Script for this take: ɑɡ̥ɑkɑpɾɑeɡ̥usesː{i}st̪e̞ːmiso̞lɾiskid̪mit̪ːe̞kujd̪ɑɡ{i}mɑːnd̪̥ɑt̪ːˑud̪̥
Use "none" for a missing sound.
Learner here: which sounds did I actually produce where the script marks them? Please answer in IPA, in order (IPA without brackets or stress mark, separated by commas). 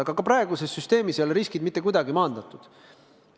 y, i